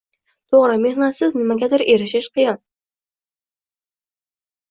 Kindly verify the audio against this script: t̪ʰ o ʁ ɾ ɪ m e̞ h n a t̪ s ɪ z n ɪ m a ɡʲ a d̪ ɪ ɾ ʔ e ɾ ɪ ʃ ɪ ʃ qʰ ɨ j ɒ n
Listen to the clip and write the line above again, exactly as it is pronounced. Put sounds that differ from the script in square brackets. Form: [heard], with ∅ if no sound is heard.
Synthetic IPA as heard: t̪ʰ o ʁ ɾ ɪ m e̞ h n a t̪ s ɪ z n ɪ m a ɡʲ a d̪ ɪ ɾ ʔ e ɾ ɪ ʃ ɪ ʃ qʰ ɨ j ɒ n

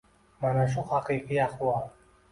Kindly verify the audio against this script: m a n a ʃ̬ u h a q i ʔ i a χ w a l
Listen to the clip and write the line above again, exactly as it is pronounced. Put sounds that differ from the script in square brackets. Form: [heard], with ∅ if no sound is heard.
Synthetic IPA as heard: m a n a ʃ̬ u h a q i [q] i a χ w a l

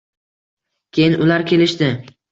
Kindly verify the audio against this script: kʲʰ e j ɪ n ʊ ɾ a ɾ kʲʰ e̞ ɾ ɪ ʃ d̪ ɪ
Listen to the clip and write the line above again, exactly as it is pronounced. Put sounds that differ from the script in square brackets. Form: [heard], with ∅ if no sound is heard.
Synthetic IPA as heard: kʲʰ e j ɪ n ʊ [l] a ɾ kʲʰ e̞ [l] ɪ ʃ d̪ ɪ

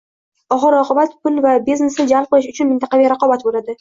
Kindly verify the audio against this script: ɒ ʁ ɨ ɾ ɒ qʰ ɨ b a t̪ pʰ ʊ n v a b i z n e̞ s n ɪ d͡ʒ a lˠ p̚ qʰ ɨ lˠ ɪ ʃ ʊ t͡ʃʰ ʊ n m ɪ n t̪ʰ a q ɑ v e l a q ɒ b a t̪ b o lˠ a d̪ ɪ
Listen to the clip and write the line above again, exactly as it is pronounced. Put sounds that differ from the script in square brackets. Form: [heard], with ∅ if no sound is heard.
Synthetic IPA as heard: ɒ ʁ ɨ ɾ ɒ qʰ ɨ b a t̪ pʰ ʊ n v a b i z n e̞ s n ɪ d͡ʒ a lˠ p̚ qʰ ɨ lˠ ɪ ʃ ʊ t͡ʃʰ ʊ n m ɪ n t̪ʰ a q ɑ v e [ɾ] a q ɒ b a t̪ b o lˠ a d̪ ɪ

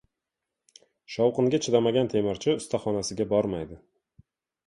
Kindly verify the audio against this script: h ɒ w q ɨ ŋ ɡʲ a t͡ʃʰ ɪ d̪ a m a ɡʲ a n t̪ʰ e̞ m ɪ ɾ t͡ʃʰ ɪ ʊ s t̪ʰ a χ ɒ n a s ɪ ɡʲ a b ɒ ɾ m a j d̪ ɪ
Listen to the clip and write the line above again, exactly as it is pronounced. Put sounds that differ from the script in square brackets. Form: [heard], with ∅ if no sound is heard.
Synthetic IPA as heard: [ʃ] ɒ w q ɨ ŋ ɡʲ a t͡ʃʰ ɪ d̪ a m a ɡʲ a n t̪ʰ e̞ m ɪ ɾ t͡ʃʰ ɪ ʊ s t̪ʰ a χ ɒ n a s ɪ ɡʲ a b ɒ ɾ m a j d̪ ɪ

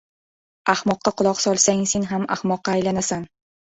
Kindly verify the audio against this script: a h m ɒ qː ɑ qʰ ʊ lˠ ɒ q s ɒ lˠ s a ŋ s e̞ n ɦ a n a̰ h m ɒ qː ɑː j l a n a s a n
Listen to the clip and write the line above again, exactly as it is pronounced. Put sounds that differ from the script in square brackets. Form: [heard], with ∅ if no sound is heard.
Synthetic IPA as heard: a h m ɒ qː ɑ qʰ ʊ lˠ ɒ q s ɒ lˠ s a ŋ s e̞ n ɦ a [m] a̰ h m ɒ qː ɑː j l a n a s a n

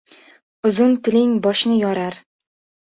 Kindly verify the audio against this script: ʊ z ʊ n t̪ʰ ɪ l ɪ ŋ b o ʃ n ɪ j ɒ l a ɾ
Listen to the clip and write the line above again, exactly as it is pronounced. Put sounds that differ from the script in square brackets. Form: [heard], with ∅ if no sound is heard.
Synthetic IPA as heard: ʊ z ʊ n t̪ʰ ɪ l ɪ ŋ b [ɒ] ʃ n ɪ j ɒ [ɾ] a ɾ

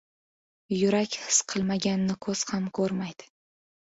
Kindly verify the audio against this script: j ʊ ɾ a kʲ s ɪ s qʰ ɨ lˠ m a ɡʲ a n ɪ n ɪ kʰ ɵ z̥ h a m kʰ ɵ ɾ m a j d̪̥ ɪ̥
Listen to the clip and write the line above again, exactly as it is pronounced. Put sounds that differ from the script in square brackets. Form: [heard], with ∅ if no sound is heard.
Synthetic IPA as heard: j ʊ ɾ a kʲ [h] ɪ s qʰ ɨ lˠ m a ɡʲ a n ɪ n ɪ kʰ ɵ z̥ h a m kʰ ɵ ɾ m a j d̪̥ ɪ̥

